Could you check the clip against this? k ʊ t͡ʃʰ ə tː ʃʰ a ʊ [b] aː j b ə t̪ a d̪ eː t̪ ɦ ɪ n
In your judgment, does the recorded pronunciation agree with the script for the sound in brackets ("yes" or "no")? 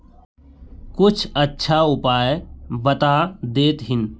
no